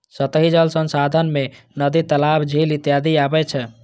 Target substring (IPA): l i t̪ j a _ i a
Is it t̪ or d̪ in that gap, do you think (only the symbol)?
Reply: d̪